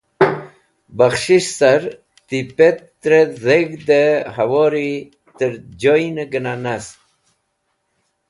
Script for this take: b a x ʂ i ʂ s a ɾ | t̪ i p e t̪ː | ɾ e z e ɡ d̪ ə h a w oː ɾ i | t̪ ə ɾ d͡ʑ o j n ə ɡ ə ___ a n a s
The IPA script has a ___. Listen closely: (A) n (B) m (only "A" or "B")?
A